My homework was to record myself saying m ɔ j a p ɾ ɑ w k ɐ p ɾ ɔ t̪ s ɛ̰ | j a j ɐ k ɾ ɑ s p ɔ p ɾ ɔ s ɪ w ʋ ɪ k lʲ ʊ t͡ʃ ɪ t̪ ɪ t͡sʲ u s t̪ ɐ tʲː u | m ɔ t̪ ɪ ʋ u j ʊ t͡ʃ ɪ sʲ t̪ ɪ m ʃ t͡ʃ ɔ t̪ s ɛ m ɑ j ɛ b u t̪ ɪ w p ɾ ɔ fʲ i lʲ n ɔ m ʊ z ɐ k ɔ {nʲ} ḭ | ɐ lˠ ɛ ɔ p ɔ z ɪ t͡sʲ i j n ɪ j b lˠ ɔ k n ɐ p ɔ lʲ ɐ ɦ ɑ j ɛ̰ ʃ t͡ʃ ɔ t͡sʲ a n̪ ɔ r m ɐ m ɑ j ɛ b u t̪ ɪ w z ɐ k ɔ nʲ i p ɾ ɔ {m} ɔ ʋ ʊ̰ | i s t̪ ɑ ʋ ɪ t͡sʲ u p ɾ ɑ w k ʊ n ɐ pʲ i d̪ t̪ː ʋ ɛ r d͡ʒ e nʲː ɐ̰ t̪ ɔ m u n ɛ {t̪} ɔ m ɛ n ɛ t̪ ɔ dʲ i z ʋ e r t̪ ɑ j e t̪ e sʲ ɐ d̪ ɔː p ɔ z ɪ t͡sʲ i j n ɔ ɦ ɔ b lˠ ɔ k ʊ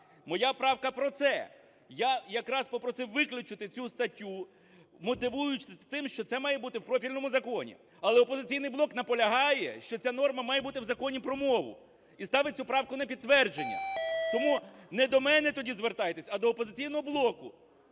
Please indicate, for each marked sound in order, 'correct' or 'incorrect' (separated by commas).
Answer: correct, correct, incorrect